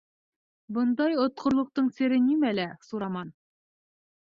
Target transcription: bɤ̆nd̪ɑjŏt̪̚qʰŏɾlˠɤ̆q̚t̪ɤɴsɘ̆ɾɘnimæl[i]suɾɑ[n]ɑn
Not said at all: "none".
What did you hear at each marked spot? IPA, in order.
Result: æ, m

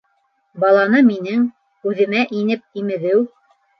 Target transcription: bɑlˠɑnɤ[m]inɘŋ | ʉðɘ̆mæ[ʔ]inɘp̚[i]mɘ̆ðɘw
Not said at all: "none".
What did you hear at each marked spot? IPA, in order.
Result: m, ʔ, i

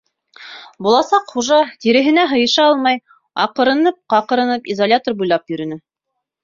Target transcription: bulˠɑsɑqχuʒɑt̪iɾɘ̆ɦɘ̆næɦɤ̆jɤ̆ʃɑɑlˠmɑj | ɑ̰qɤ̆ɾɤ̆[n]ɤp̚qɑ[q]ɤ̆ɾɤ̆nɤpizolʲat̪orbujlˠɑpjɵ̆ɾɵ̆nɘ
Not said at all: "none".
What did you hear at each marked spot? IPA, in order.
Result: n, q

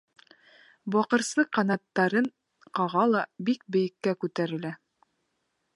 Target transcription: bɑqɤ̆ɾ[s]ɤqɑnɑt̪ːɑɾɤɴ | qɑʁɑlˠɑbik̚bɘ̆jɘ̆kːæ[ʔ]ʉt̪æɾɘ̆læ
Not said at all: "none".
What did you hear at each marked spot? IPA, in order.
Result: s, k

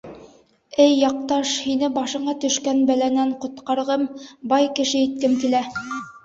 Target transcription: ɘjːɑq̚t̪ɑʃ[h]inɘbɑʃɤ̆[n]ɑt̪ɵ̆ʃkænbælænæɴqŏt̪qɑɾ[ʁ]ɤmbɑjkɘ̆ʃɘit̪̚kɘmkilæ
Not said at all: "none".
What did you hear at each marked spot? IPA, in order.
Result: h, ɴ, ʁ

